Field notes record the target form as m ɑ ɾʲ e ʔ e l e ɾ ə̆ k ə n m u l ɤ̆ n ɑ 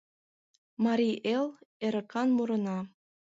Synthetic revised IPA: m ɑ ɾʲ i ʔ e l e ɾ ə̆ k ɑ n m u ɾ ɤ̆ n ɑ